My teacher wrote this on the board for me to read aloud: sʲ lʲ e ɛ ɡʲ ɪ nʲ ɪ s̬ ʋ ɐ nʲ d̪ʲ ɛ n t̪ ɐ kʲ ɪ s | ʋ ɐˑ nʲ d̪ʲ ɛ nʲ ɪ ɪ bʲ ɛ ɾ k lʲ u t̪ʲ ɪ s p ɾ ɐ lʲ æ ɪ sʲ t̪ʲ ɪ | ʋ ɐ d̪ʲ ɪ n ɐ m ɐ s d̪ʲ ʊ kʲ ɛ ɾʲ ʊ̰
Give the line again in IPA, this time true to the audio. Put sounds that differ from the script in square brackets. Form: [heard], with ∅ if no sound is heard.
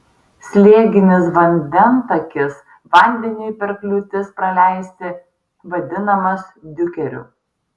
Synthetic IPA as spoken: sʲ lʲ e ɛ ɡʲ ɪ nʲ ɪ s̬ ʋ ɐ nʲ d̪ʲ ɛ n t̪ ɐ kʲ ɪ s | ʋ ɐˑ nʲ d̪ʲ ɛ nʲ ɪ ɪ [pʲ] ɛ ɾ k lʲ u t̪ʲ ɪ s p ɾ ɐ lʲ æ ɪ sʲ t̪ʲ ɪ | ʋ ɐ d̪ʲ ɪ n ɐ m ɐ s d̪ʲ ʊ kʲ ɛ ɾʲ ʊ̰